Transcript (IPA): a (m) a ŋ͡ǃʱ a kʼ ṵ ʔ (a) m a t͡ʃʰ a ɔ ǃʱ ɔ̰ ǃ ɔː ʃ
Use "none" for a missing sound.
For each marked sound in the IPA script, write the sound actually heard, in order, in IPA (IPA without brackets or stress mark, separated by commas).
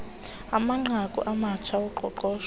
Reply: m, a